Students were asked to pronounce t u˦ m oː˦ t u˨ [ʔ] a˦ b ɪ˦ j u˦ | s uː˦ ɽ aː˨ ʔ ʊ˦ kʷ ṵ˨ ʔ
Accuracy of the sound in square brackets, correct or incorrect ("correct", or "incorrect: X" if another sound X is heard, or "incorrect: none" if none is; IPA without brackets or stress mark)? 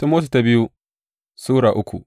incorrect: t